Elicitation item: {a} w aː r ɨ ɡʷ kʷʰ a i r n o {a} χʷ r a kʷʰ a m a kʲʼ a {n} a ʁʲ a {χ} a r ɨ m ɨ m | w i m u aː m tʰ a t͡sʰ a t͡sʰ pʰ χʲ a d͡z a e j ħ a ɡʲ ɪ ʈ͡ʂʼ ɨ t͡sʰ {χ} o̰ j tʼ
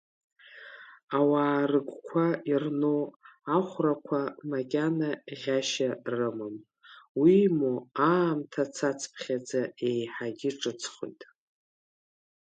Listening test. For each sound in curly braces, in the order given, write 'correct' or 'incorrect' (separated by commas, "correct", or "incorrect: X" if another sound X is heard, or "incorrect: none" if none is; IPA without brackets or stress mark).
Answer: correct, correct, correct, incorrect: ʃ, correct